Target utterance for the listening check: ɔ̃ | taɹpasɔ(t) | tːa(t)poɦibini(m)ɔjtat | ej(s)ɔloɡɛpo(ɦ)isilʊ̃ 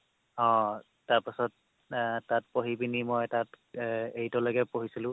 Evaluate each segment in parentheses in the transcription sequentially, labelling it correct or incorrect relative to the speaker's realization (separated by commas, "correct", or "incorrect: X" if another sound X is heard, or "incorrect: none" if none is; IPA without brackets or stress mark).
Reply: correct, correct, correct, incorrect: t, correct